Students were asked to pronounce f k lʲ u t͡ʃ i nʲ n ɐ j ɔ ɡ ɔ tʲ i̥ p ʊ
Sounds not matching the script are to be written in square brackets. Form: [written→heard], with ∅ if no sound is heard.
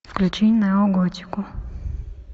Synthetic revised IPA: f k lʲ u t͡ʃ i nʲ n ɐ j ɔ ɡ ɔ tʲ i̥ [p→k] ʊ